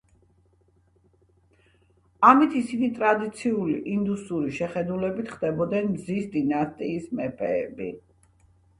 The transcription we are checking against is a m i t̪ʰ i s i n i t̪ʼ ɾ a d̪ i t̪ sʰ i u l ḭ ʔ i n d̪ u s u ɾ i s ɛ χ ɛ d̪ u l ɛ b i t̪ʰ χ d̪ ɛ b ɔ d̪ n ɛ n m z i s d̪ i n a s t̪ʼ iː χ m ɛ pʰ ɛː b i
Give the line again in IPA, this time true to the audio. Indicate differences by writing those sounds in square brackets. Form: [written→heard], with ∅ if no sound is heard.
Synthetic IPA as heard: a m i t̪ʰ i s i n i t̪ʼ ɾ a d̪ i t̪ sʰ i u l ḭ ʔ i n d̪ u s u ɾ i [s→ʃ] ɛ χ ɛ d̪ u l ɛ b i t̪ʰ χ d̪ ɛ b ɔ d̪ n ɛ n m z i s d̪ i n a s t̪ʼ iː [χ→s] m ɛ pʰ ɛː b i

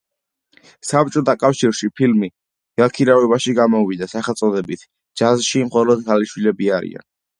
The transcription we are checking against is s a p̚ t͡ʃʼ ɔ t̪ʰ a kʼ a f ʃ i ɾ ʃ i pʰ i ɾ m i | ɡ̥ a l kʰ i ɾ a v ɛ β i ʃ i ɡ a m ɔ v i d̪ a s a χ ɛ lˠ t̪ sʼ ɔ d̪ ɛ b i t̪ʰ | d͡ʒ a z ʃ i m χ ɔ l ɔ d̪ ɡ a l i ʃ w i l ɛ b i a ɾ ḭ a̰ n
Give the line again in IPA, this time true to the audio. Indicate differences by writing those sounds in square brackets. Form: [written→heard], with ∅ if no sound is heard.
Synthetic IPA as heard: s a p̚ t͡ʃʼ ɔ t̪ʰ a kʼ a f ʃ i ɾ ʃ i pʰ i [ɾ→l] m i | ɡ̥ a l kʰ i ɾ a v ɛ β [i→a] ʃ i ɡ a m ɔ v i d̪ a s a χ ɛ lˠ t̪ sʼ ɔ d̪ ɛ b i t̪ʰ | d͡ʒ a z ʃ i m χ ɔ l ɔ d̪ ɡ a l i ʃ w i l ɛ b i a ɾ ḭ a̰ n

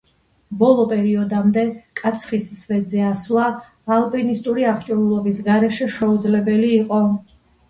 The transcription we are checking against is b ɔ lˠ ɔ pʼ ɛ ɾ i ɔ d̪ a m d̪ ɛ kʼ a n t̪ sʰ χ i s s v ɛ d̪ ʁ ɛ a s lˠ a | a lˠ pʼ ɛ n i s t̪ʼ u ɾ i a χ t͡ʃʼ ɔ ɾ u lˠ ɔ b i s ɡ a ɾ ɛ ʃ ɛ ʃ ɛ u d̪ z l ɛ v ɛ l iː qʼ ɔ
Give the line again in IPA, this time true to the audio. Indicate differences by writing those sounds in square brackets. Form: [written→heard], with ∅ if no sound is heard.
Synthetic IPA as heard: b ɔ lˠ ɔ pʼ ɛ ɾ i ɔ d̪ a m d̪ ɛ kʼ a [n→∅] t̪ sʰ χ i s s v ɛ d̪ [ʁ→z] ɛ a s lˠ a | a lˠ pʼ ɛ n i s t̪ʼ u ɾ i a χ t͡ʃʼ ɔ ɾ u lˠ ɔ b i s ɡ a ɾ ɛ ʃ ɛ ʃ ɛ u d̪ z l ɛ [v→b] ɛ l iː qʼ ɔ

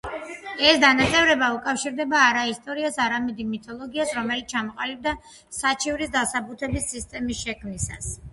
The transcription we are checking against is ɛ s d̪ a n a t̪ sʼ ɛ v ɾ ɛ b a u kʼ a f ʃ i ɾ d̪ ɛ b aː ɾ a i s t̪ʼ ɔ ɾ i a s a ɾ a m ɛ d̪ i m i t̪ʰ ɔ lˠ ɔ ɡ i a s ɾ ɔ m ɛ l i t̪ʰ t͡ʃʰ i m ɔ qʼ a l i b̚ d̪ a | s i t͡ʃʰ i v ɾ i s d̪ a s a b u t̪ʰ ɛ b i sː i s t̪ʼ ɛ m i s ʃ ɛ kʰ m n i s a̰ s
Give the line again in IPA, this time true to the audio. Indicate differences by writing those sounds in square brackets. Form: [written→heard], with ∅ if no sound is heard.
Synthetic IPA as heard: ɛ s d̪ a n a t̪ sʼ ɛ v ɾ ɛ b a u kʼ a f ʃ i ɾ d̪ ɛ b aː ɾ a i s t̪ʼ ɔ ɾ i a s a ɾ a m ɛ d̪ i m i t̪ʰ ɔ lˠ ɔ ɡ i a s ɾ ɔ m ɛ l i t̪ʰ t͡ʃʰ [i→a] m ɔ qʼ a l i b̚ d̪ a | s [i→a] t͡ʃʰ i v ɾ i s d̪ a s a b u t̪ʰ ɛ b i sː i s t̪ʼ ɛ m i s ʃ ɛ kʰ m n i s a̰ s

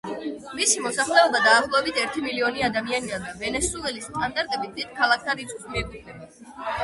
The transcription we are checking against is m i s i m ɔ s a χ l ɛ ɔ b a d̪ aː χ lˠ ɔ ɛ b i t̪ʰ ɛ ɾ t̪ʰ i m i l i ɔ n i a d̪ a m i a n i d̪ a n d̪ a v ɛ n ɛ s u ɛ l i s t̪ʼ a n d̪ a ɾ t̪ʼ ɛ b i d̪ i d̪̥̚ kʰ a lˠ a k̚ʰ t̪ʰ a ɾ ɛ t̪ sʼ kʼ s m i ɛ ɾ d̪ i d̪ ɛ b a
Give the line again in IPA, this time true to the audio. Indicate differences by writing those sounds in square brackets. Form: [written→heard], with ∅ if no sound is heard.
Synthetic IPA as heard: m i s i m ɔ s a χ l ɛ ɔ b a d̪ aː χ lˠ ɔ ɛ b i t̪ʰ ɛ ɾ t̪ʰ i m i l i ɔ n i a d̪ a m i a n i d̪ a n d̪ a v ɛ n ɛ s u ɛ l i s t̪ʼ a n d̪ a ɾ t̪ʼ ɛ b i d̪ i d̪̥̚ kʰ a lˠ a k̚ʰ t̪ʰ a ɾ [ɛ→i] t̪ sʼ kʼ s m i ɛ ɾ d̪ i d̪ ɛ b a

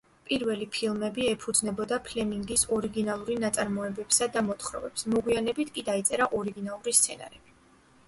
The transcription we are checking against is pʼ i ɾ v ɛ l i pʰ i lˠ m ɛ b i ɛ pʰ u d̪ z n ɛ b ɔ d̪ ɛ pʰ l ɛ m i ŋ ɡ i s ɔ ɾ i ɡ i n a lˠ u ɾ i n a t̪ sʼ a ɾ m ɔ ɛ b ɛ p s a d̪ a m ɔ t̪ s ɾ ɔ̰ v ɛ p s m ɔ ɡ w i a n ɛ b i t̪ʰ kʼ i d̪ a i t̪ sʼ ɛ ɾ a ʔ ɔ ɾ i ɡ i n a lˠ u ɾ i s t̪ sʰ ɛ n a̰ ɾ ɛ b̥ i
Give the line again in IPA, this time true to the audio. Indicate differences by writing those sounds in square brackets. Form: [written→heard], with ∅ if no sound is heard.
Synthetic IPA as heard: pʼ i ɾ v ɛ l i pʰ i lˠ m ɛ b i ɛ pʰ u d̪ z n ɛ b ɔ d̪ [ɛ→a] pʰ l ɛ m i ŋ ɡ i s ɔ ɾ i ɡ i n a lˠ u ɾ i n a t̪ sʼ a ɾ m ɔ ɛ b ɛ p s a d̪ a m ɔ t̪ [s→χ] ɾ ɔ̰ v ɛ p s m ɔ ɡ w i a n ɛ b i t̪ʰ kʼ i d̪ a i t̪ sʼ ɛ ɾ a ʔ ɔ ɾ i ɡ i n a lˠ u ɾ i s t̪ sʰ ɛ n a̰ ɾ ɛ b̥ i

